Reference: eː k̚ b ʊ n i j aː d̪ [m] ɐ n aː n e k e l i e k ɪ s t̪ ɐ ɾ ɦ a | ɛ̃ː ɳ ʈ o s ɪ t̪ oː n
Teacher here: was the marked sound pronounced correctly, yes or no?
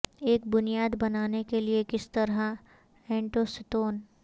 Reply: no